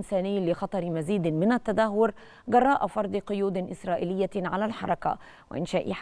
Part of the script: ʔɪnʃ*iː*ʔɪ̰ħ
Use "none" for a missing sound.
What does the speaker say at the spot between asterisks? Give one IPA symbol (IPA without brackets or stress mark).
aː